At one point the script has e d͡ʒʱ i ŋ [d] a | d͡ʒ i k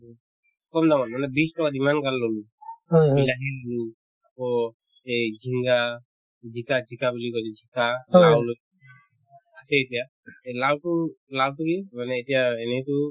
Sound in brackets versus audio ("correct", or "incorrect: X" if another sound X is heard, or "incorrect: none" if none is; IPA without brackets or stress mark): incorrect: ɡ